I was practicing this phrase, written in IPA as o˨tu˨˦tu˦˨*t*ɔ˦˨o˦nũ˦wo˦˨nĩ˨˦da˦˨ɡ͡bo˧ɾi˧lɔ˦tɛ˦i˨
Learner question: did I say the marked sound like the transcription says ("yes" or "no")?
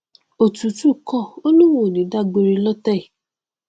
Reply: no